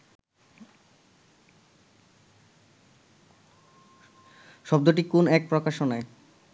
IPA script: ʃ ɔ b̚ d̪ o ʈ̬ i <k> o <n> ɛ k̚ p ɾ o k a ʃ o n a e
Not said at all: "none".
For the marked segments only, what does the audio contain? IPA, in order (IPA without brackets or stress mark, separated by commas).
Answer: k, n